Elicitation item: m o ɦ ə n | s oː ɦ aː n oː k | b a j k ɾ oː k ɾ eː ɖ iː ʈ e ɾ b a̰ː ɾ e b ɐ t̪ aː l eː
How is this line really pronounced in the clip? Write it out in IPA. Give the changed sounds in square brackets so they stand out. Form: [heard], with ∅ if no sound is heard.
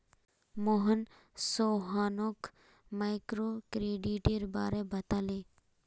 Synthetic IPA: m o ɦ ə n | s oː ɦ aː n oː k | [m] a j k ɾ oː k ɾ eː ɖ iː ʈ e ɾ b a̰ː ɾ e b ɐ t̪ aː l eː